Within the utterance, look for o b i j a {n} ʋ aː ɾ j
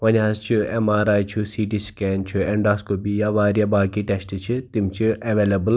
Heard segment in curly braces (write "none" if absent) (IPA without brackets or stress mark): none